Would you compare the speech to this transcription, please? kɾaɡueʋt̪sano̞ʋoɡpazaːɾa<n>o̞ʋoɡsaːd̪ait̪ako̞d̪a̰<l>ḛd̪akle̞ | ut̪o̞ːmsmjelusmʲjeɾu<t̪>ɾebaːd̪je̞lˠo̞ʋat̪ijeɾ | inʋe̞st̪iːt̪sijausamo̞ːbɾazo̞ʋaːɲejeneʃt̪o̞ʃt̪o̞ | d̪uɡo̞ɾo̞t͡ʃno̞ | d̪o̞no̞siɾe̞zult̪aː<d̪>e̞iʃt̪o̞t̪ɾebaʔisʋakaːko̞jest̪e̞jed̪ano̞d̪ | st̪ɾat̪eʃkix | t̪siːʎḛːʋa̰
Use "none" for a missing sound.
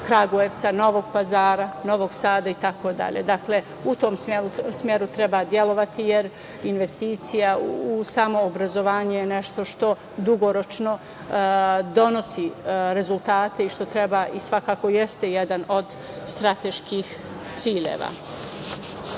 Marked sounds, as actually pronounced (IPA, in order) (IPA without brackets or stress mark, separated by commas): n, ʎ, t̪, t̪